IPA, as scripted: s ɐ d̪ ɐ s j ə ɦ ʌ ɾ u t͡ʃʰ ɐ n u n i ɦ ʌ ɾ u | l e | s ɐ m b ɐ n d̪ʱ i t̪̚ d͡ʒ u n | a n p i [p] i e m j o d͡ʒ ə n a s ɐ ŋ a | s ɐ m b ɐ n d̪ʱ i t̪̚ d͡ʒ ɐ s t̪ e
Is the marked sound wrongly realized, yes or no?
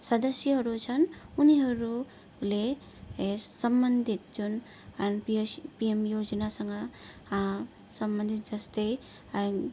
no